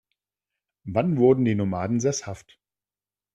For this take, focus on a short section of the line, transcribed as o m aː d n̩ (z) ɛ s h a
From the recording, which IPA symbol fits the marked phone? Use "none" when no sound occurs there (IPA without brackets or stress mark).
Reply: z